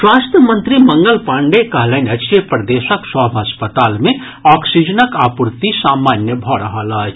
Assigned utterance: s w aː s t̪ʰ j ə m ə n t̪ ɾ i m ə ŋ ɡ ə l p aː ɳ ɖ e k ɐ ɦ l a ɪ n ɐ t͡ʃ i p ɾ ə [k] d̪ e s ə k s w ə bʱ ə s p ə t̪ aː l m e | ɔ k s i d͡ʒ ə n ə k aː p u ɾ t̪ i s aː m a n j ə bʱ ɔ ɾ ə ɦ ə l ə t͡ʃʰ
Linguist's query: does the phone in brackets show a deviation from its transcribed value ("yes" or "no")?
yes